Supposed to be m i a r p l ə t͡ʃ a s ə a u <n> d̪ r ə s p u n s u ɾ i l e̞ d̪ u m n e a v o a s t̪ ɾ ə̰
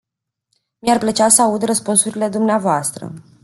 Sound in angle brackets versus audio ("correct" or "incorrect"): incorrect